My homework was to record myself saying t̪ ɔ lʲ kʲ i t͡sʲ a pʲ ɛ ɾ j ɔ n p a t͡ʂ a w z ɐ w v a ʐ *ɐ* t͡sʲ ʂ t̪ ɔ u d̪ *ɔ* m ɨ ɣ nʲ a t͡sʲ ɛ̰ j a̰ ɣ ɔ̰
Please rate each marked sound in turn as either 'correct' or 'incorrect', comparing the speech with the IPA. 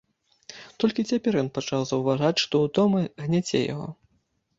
incorrect: a, correct

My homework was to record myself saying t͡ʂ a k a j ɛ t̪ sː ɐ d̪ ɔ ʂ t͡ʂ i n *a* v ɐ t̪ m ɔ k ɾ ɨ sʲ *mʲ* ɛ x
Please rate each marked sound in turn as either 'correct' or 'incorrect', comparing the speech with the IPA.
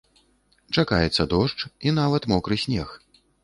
correct, incorrect: nʲ

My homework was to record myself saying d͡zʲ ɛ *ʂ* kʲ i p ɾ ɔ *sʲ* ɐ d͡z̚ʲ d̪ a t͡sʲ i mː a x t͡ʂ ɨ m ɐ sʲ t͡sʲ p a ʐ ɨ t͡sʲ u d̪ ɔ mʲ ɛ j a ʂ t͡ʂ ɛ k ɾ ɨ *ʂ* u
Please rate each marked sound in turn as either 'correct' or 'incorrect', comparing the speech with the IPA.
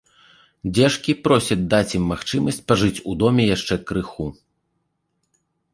correct, correct, incorrect: x

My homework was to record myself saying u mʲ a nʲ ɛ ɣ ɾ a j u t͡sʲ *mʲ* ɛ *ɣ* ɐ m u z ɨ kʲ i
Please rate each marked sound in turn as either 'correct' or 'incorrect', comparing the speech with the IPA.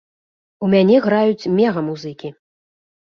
correct, correct

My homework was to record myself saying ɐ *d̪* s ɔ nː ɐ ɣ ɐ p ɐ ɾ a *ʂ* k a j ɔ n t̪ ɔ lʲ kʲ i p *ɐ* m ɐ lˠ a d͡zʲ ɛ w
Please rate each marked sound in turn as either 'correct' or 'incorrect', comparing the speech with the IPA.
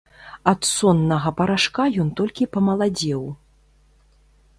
incorrect: t̪, correct, correct

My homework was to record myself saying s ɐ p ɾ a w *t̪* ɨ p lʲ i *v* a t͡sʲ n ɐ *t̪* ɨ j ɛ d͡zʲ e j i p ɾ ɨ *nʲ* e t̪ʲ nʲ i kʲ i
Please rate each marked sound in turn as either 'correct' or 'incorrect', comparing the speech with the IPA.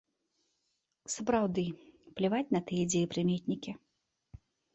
incorrect: d̪, correct, correct, incorrect: mʲ

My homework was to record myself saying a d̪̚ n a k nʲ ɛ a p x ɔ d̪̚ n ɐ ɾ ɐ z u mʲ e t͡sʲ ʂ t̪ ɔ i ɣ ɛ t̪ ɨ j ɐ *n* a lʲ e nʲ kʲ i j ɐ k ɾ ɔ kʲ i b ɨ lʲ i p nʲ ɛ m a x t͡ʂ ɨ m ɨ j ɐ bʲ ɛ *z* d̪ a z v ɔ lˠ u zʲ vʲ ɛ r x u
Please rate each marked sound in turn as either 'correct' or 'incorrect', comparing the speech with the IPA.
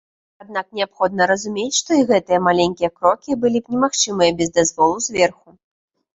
incorrect: m, correct

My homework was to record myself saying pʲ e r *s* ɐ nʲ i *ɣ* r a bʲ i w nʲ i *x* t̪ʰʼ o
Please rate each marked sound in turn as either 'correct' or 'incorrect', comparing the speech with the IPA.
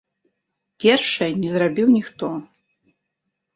incorrect: ʂ, incorrect: z, correct

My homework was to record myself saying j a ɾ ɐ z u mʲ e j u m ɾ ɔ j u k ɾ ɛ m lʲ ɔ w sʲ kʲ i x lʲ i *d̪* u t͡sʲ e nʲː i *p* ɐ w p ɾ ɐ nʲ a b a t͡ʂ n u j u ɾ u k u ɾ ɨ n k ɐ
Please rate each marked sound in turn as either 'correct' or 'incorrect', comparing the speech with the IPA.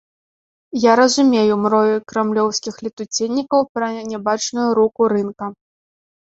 incorrect: t̪, incorrect: k

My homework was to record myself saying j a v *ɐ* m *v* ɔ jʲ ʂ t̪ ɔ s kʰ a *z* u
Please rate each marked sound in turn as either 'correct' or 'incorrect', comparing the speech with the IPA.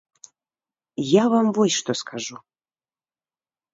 incorrect: a, correct, incorrect: ʐ

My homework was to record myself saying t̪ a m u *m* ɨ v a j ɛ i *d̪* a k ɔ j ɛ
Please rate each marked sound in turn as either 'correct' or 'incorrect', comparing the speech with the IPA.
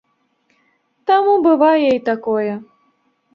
incorrect: b, incorrect: t̪

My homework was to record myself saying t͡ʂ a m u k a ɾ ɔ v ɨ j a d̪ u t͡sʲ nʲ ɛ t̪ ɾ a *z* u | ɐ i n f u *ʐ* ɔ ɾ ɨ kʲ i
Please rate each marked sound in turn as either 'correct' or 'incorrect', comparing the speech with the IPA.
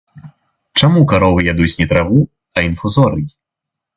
incorrect: v, incorrect: z

